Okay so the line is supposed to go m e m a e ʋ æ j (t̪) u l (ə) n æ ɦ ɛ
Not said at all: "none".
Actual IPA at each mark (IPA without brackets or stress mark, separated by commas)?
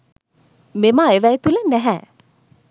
t̪, ə